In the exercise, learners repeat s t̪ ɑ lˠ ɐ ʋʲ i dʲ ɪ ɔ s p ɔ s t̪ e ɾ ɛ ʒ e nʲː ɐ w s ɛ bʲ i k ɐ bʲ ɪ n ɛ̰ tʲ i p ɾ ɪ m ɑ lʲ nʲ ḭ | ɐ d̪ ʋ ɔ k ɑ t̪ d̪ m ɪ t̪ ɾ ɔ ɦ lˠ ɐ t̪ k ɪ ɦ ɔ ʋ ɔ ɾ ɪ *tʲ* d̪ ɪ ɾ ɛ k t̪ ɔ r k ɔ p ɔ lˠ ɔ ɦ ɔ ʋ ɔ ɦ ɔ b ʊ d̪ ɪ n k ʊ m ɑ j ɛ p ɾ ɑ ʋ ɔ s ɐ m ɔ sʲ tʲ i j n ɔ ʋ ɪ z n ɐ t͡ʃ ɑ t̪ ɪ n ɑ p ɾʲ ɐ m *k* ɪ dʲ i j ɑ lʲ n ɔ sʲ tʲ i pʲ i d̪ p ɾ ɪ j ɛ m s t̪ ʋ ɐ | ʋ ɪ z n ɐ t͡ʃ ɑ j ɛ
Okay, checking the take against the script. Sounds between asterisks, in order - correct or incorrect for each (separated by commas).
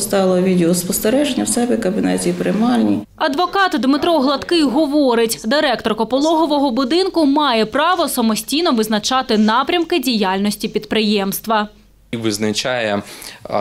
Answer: correct, correct